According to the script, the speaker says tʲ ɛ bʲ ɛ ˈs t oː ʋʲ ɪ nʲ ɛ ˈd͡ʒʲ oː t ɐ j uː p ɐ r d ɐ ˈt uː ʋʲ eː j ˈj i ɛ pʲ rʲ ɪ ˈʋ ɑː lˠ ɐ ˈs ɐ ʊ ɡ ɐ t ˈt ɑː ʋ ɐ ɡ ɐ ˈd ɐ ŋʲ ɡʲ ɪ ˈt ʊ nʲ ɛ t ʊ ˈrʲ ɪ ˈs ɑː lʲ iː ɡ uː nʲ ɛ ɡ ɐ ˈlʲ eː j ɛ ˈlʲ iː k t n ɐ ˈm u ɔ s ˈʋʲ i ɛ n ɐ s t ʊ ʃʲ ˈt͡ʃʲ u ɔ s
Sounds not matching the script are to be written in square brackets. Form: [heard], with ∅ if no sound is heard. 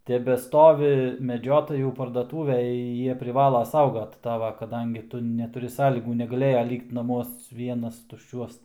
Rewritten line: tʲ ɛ bʲ ɛ ˈs t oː ʋʲ ɪ [mʲ] ɛ ˈd͡ʒʲ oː t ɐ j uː p ɐ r d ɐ ˈt uː ʋʲ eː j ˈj i ɛ pʲ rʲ ɪ ˈʋ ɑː lˠ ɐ ˈs ɐ ʊ ɡ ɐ t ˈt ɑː ʋ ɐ [k] ɐ ˈd ɐ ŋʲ ɡʲ ɪ ˈt ʊ nʲ ɛ t ʊ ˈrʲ ɪ ˈs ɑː lʲ iː ɡ uː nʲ ɛ ɡ ɐ ˈlʲ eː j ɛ ˈlʲ iː k t n ɐ ˈm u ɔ s ˈʋʲ i ɛ n ɐ s t ʊ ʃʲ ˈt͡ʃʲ u ɔ s